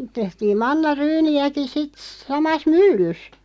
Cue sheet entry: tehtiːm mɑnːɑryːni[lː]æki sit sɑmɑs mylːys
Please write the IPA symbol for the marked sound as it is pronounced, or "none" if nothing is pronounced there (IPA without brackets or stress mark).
none